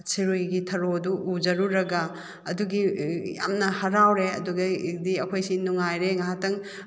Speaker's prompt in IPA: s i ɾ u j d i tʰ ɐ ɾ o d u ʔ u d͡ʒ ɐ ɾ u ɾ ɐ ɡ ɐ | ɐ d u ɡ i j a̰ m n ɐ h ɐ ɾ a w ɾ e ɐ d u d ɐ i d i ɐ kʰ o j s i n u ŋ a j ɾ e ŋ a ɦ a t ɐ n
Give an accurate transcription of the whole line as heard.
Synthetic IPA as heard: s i ɾ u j ɡ i tʰ ɐ ɾ o d u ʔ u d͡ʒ ɐ ɾ u ɾ ɐ ɡ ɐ | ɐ d u ɡ i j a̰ m n ɐ h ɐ ɾ a w ɾ e ɐ d u ɡ ɐ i d i ɐ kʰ o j s i n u ŋ a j ɾ e ŋ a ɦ a t ɐ ŋ